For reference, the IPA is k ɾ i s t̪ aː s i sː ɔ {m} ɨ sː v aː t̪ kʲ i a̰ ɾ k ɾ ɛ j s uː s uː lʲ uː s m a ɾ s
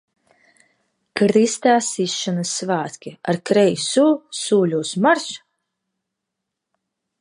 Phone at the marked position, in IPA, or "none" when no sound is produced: n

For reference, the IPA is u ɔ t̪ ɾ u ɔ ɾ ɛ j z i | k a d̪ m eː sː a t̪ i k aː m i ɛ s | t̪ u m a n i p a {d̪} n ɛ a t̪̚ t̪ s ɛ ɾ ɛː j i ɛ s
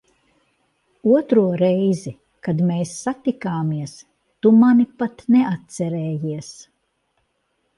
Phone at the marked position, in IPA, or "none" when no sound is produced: t̪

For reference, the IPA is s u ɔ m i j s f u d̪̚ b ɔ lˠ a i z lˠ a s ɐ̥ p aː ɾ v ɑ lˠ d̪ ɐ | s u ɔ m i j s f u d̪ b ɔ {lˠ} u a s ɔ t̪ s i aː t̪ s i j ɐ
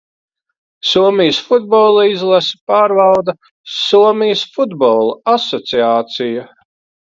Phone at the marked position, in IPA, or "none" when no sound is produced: lˠ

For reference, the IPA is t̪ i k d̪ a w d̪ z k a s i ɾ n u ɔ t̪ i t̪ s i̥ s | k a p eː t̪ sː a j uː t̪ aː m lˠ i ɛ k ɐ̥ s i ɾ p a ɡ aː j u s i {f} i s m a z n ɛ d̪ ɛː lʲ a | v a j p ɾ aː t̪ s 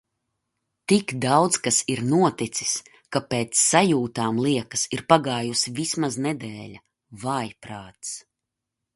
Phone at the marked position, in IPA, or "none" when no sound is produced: v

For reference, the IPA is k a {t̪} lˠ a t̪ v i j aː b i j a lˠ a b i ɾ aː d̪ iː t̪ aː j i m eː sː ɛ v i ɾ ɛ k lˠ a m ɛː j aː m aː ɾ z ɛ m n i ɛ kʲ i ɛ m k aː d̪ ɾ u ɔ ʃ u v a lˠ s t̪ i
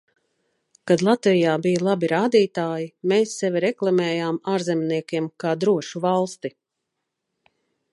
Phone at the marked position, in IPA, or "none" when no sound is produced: d̪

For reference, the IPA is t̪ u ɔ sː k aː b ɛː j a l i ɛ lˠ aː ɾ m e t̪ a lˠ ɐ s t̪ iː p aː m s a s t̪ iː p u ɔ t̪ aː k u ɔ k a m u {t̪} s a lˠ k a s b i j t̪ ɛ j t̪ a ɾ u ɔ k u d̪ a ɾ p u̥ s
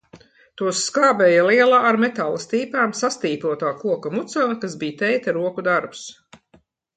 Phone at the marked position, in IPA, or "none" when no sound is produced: t̪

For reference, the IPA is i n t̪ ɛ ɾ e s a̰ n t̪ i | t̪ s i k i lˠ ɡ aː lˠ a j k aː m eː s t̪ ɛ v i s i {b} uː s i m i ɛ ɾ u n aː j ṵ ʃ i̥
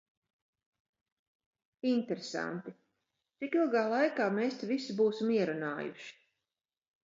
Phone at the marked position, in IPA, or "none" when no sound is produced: b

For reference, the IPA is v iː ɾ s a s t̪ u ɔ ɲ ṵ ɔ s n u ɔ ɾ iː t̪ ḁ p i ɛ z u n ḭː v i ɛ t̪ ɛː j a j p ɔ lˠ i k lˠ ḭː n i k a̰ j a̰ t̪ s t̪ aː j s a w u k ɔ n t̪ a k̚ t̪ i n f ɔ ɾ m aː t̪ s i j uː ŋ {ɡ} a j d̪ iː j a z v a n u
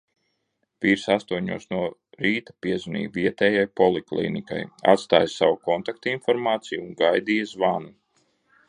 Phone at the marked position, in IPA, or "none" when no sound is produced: ɡ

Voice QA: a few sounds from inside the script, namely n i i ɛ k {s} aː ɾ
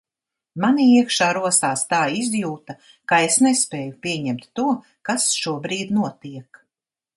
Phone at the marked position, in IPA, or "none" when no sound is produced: ʃ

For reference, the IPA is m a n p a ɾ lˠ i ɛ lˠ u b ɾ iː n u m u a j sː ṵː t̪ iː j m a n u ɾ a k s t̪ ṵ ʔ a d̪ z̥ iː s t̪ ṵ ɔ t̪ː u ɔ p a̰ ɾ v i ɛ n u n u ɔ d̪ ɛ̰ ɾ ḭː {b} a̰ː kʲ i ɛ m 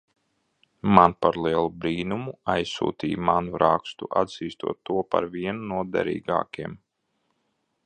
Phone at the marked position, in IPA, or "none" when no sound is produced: ɡ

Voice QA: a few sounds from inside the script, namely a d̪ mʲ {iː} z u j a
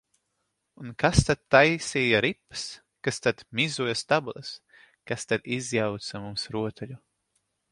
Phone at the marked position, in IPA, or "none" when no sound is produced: i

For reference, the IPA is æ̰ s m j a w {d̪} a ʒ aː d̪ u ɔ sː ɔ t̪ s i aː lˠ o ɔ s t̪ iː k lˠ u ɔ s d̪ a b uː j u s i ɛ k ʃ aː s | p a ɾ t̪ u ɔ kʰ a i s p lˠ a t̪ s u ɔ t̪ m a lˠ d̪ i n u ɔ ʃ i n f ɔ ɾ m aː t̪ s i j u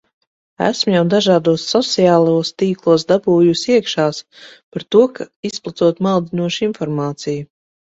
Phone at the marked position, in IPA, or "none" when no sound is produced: d̪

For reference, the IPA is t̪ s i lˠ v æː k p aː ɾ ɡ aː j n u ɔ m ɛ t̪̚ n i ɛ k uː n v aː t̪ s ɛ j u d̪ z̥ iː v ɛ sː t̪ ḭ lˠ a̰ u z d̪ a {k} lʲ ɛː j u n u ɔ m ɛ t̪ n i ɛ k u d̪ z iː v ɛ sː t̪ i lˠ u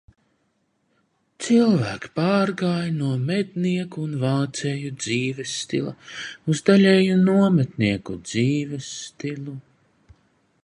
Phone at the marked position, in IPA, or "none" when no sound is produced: none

